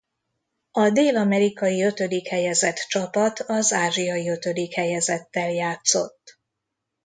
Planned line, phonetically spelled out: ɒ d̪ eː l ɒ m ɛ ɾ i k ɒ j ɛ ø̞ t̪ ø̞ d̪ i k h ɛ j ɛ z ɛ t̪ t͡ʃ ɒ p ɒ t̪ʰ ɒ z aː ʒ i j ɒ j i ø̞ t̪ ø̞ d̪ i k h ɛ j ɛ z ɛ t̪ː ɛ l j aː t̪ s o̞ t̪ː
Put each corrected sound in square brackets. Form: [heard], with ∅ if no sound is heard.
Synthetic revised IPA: ɒ d̪ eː l ɒ m ɛ ɾ i k ɒ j [i] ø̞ t̪ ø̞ d̪ i k h ɛ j ɛ z ɛ t̪ t͡ʃ ɒ p ɒ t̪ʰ ɒ z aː ʒ i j ɒ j i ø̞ t̪ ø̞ d̪ i k h ɛ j ɛ z ɛ t̪ː ɛ l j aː t̪ s o̞ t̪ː

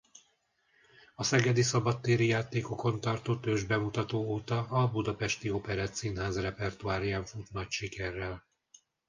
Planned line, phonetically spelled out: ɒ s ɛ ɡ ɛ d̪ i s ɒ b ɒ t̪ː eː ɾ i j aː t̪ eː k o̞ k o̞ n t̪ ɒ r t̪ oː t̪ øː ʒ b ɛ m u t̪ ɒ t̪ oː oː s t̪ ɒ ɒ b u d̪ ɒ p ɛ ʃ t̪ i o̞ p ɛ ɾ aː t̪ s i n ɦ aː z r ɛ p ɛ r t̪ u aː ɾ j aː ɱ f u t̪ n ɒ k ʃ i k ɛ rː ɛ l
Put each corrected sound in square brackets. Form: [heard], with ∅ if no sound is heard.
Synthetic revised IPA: ɒ s ɛ ɡ ɛ d̪ i s ɒ b ɒ t̪ː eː ɾ i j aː t̪ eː k o̞ k o̞ n t̪ ɒ r t̪ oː t̪ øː ʒ b ɛ m u t̪ ɒ t̪ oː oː [∅] t̪ ɒ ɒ b u d̪ ɒ p ɛ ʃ t̪ i o̞ p ɛ ɾ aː t̪ s i n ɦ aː z r ɛ p ɛ r t̪ u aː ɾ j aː ɱ f u t̪ n ɒ [c] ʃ i k ɛ rː ɛ l

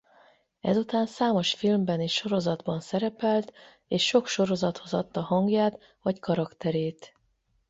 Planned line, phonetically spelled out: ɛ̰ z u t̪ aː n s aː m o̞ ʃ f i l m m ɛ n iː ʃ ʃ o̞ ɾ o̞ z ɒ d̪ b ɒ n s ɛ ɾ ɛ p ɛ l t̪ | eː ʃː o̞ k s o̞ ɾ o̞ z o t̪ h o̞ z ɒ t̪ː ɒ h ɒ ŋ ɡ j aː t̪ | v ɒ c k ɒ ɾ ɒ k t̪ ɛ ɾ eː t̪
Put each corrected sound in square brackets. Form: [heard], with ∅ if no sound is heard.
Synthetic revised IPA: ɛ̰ z u t̪ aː n s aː m o̞ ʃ f i l m [b] ɛ n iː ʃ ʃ o̞ ɾ o̞ z ɒ d̪ b ɒ n s ɛ ɾ ɛ p ɛ l t̪ | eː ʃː o̞ k [ʃ] o̞ ɾ o̞ z [ɒ] t̪ h o̞ z ɒ t̪ː ɒ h ɒ ŋ ɡ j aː t̪ | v ɒ c k ɒ ɾ ɒ k t̪ ɛ ɾ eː t̪

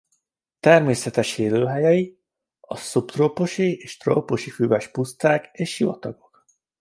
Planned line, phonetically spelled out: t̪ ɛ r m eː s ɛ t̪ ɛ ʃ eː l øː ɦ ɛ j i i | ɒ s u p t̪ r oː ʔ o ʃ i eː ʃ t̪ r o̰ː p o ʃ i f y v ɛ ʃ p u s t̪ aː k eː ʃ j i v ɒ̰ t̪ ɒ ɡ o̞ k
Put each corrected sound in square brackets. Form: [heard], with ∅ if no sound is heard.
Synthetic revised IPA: t̪ ɛ r m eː s ɛ t̪ ɛ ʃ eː l øː ɦ ɛ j [ɛ] i | ɒ s u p t̪ r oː [p] o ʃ i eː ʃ t̪ r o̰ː p o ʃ i f y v ɛ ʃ p u s t̪ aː k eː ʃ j i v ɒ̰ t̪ ɒ ɡ o̞ k

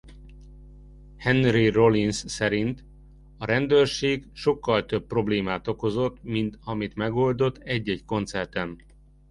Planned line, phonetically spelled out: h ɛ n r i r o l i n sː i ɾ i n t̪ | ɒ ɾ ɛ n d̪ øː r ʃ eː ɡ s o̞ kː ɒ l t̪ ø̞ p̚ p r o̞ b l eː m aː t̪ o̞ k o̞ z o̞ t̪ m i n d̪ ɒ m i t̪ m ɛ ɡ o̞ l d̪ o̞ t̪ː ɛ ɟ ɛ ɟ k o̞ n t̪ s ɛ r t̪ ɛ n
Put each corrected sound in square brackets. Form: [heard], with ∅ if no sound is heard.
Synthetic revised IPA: h ɛ n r i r o l i n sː [ɛ] ɾ i n t̪ | ɒ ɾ ɛ n d̪ øː r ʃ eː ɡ [ʃ] o̞ kː ɒ l t̪ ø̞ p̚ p r o̞ b l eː m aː t̪ o̞ k o̞ z o̞ t̪ m i n [t̪] ɒ m i t̪ m ɛ ɡ o̞ l d̪ o̞ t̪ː ɛ [ɟː] ɛ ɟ k o̞ n t̪ s ɛ r t̪ ɛ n

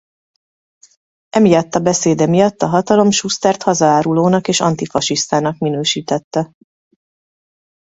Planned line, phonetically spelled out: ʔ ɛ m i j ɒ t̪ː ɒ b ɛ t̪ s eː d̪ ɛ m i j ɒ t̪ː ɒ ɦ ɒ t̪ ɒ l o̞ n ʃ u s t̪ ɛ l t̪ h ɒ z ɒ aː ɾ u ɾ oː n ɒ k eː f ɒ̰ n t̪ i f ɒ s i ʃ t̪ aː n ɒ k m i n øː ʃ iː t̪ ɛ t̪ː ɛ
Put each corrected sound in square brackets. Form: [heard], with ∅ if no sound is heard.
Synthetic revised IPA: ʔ ɛ m i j ɒ t̪ː ɒ b ɛ [∅] s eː d̪ ɛ m i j ɒ t̪ː ɒ ɦ ɒ t̪ ɒ l o̞ [m] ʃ u s t̪ ɛ [r] t̪ h ɒ z ɒ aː ɾ u [l] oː n ɒ k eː [ʃ] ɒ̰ n t̪ i f ɒ [ʃ] i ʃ t̪ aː n ɒ k m i n øː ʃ iː t̪ ɛ t̪ː ɛ

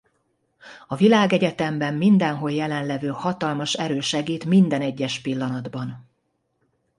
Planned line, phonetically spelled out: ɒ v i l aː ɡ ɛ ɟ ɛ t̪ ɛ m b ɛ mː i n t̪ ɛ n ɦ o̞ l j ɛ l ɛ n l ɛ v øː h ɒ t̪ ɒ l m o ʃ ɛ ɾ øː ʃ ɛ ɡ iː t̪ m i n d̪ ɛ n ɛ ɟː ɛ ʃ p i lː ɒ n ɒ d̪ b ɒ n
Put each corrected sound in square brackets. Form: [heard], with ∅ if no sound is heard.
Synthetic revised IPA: ɒ v i l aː ɡ ɛ ɟ ɛ t̪ ɛ m b ɛ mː i n [d̪] ɛ n ɦ o̞ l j ɛ l ɛ n l ɛ v øː h ɒ t̪ ɒ l m [ɒ] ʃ ɛ ɾ øː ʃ ɛ ɡ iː t̪ m i n d̪ ɛ n ɛ ɟː ɛ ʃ p i lː ɒ n ɒ d̪ b ɒ n

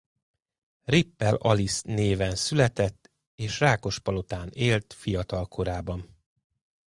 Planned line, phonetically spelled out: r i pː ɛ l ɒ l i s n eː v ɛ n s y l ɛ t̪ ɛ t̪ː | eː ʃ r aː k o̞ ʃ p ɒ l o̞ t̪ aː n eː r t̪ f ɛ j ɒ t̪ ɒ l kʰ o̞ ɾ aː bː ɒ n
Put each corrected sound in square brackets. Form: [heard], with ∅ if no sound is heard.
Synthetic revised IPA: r i pː ɛ l ɒ l i s n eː v ɛ n s y l ɛ t̪ ɛ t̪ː | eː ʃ r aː k o̞ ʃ p ɒ l o̞ t̪ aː n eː [l] t̪ f [i] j ɒ t̪ ɒ l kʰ o̞ ɾ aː [b] ɒ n

